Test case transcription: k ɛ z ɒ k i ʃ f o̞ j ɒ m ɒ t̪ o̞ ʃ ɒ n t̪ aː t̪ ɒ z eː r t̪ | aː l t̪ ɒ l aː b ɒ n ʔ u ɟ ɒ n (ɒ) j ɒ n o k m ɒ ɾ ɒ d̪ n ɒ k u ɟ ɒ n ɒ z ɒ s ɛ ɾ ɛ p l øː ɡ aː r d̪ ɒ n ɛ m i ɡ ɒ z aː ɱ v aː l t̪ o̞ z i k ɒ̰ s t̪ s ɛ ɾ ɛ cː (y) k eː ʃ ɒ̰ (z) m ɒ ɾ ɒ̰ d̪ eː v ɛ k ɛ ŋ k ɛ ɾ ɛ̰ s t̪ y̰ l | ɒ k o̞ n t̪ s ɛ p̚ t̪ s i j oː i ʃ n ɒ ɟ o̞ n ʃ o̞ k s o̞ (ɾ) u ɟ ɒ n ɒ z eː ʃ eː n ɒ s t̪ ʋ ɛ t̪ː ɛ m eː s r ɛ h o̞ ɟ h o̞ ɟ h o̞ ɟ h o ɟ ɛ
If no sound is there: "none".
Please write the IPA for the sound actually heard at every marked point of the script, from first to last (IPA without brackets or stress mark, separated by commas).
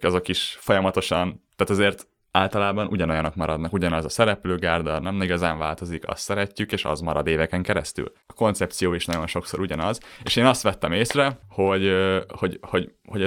o, y, z, ɾ